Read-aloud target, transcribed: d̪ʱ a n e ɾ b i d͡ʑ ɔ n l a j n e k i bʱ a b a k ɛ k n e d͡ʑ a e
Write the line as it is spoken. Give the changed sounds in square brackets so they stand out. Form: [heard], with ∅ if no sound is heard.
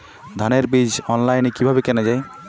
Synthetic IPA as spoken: d̪ʱ a n e ɾ b i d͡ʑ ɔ n l a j n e k i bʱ a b [e] k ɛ [∅] n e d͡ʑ a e